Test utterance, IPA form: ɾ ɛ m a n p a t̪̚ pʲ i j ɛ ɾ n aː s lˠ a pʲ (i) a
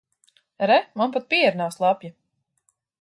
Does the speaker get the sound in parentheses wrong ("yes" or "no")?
yes